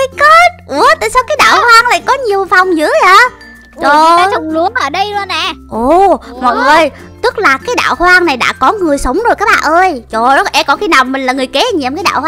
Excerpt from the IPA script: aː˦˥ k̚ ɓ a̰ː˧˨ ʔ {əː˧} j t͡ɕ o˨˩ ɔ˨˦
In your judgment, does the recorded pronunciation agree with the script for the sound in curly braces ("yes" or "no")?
yes